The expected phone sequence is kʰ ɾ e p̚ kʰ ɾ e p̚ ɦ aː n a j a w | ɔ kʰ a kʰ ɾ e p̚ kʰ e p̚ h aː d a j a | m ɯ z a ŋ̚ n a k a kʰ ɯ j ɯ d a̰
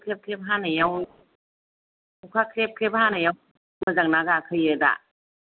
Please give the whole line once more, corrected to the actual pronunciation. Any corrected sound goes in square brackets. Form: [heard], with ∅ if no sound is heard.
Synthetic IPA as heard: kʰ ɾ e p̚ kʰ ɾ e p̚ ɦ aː n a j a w | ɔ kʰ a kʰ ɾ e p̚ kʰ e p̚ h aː [n] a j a | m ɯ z a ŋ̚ n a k a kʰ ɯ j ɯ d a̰